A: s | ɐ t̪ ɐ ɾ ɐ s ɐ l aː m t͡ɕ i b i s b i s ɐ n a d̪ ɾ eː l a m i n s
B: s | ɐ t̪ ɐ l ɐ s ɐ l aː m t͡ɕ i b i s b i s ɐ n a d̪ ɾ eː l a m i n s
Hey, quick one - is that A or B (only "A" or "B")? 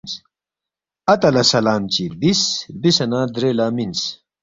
B